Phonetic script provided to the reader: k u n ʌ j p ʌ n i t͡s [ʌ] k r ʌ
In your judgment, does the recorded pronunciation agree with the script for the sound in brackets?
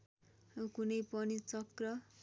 yes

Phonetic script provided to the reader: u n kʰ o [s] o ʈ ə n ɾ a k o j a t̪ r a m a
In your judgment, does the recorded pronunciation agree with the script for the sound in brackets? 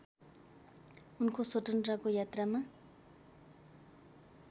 yes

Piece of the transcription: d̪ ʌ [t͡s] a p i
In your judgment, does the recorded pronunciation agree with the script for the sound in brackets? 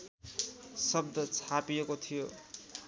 no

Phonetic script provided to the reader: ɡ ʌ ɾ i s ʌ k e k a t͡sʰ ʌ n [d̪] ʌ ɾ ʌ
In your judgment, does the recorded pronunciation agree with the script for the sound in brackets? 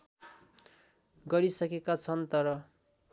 no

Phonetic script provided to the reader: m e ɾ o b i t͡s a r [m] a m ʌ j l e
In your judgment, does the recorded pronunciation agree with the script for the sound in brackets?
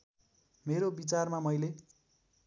yes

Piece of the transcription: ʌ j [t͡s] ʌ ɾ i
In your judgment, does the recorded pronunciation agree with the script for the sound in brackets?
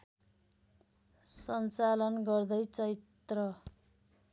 yes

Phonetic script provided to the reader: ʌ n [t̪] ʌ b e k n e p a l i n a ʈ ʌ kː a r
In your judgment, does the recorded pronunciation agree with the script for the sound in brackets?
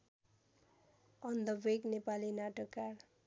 no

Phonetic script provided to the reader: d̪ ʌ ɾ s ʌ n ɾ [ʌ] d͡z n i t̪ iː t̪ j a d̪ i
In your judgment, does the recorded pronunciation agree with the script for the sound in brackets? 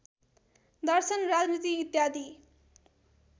no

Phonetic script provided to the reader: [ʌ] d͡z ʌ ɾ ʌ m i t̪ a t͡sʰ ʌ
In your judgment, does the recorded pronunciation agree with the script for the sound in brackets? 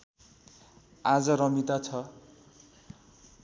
no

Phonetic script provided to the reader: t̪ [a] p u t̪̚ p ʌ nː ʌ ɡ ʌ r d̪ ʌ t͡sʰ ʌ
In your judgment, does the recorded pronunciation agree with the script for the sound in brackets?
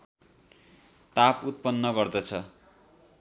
yes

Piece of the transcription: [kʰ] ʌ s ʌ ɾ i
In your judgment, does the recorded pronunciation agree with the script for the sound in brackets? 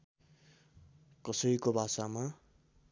no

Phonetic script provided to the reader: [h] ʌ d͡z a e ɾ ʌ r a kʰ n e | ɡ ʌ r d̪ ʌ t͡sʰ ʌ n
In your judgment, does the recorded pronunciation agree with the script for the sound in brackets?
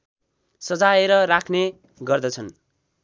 no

